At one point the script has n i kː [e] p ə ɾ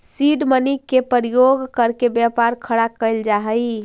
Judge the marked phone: correct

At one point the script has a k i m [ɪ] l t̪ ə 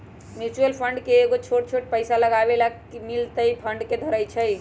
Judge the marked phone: incorrect: i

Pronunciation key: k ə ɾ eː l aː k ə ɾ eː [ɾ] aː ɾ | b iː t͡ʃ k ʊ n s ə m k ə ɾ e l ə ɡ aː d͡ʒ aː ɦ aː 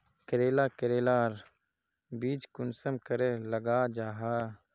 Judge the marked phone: incorrect: l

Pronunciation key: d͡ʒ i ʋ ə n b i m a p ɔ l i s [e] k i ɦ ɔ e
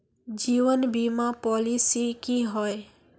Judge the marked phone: incorrect: i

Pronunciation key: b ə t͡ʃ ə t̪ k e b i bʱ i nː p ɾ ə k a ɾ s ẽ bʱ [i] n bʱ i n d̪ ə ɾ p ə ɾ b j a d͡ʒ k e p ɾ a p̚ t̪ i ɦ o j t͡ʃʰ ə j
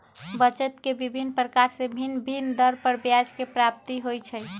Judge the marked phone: correct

